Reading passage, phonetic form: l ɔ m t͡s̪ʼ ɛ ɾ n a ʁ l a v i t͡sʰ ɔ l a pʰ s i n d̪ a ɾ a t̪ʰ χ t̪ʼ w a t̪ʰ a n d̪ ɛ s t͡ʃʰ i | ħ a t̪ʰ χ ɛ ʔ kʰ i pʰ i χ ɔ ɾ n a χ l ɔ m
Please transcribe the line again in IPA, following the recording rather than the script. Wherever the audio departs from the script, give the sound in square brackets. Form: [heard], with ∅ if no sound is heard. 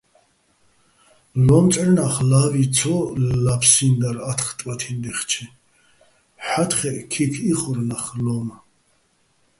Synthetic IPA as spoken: l ɔ m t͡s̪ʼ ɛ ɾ n a [χ] l a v i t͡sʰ ɔ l a pʰ s i n d̪ a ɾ a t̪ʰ χ t̪ʼ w a t̪ʰ [i] n d̪ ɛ [χ] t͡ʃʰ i | ħ a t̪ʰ χ ɛ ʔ kʰ i [kʰ] i χ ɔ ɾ n a χ l ɔ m